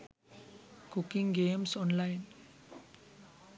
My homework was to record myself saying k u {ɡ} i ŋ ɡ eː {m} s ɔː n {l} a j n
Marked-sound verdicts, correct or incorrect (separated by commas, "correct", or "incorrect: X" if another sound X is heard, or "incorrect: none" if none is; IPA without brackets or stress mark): incorrect: k, correct, correct